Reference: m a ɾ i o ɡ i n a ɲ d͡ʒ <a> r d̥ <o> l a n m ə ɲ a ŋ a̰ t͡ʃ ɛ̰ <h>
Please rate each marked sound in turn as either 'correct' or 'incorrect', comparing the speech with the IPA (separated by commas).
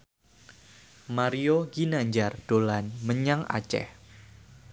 correct, correct, correct